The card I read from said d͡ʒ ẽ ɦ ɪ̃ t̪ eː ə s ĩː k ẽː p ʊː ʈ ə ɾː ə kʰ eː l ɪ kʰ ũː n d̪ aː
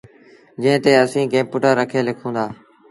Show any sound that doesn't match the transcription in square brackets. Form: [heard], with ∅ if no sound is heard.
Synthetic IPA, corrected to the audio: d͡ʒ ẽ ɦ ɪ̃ t̪ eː ə s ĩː k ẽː p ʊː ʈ ə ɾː ə kʰ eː l ɪ kʰ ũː n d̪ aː